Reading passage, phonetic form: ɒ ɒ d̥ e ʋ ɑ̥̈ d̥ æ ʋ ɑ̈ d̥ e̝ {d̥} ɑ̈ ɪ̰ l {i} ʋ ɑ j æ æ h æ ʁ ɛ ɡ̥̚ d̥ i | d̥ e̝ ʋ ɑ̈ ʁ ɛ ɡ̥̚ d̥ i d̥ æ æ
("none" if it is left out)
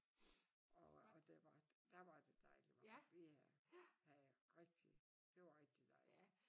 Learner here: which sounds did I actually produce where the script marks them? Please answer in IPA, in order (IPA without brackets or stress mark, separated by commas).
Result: d̥, i